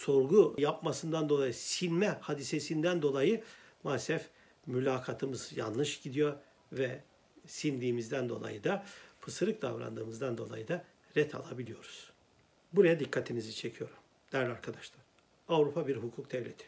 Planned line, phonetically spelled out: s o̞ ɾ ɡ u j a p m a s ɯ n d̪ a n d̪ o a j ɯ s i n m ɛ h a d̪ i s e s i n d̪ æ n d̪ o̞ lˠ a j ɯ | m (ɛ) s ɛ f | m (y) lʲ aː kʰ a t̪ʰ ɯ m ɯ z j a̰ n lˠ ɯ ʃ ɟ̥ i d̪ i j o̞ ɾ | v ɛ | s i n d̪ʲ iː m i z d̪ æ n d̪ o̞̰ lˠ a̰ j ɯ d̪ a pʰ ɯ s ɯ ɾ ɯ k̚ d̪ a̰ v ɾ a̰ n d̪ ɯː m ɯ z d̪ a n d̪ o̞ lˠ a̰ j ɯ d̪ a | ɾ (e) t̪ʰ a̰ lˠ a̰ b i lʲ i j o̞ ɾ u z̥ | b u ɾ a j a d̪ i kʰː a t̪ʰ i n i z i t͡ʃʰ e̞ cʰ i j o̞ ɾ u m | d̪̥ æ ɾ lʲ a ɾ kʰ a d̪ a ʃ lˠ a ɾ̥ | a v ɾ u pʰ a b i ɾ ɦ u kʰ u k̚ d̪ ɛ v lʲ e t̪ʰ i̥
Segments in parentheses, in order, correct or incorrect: incorrect: a, correct, incorrect: ɛ

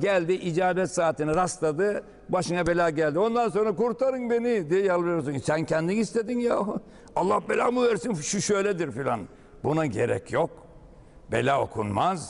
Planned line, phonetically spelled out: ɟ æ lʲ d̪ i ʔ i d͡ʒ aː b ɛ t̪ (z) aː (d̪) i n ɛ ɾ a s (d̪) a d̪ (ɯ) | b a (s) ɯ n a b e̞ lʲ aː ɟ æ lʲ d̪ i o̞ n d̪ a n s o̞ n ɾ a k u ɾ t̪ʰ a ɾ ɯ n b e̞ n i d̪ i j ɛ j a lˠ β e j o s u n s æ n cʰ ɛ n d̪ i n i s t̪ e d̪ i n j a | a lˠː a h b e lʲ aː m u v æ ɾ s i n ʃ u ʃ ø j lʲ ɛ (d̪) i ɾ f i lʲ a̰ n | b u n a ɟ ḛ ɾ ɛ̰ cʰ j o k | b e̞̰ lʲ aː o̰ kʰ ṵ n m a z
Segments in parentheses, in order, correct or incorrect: incorrect: s, incorrect: t̪, incorrect: t̪, correct, incorrect: ʃ, correct

